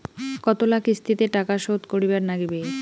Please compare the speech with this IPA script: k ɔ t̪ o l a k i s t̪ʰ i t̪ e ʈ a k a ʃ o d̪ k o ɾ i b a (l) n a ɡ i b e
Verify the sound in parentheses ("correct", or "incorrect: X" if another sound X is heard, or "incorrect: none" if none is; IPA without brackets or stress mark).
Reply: incorrect: ɾ